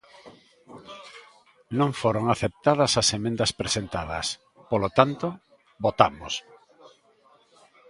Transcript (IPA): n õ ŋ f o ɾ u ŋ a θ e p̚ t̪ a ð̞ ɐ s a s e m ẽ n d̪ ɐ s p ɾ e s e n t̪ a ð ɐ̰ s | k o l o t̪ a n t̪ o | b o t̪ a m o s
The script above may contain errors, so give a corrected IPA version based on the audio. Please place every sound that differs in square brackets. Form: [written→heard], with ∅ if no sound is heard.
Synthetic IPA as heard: n õ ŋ f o ɾ [u→o] ŋ a θ e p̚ t̪ a ð̞ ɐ s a s e m ẽ n d̪ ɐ s p ɾ e s e n t̪ a ð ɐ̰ s | [k→p] o l o t̪ a n t̪ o | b o t̪ a m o s